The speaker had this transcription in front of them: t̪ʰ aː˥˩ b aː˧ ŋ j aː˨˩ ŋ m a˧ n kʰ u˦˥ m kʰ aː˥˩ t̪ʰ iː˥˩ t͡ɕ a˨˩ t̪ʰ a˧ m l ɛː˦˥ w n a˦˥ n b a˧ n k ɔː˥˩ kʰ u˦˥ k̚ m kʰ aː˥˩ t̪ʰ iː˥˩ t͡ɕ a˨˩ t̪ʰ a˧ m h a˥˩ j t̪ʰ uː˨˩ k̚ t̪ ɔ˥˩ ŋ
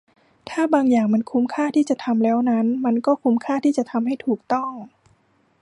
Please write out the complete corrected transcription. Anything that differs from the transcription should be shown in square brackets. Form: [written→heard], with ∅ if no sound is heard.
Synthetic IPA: t̪ʰ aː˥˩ b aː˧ ŋ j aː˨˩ ŋ m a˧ n kʰ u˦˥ m kʰ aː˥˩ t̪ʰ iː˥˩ t͡ɕ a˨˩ t̪ʰ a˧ m l ɛː˦˥ w n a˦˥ n [b→m] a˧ n k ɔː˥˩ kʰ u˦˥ [k̚→∅] m kʰ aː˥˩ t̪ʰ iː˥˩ t͡ɕ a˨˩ t̪ʰ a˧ m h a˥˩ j t̪ʰ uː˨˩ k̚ t̪ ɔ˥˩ ŋ